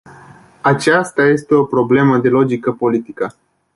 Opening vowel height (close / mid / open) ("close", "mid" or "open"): open